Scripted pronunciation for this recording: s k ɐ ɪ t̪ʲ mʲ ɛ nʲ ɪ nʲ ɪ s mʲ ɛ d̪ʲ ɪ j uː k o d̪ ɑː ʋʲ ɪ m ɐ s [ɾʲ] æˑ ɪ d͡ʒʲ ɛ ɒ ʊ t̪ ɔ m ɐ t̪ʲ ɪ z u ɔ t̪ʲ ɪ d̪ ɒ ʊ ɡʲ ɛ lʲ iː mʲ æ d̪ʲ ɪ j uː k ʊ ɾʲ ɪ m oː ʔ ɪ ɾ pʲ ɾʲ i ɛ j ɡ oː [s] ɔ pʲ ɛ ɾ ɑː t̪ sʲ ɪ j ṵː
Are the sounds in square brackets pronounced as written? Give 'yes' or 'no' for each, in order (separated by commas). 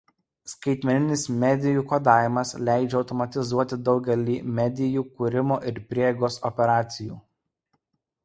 no, yes